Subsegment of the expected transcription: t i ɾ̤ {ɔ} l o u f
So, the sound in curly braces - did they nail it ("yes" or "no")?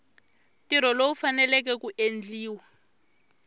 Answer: yes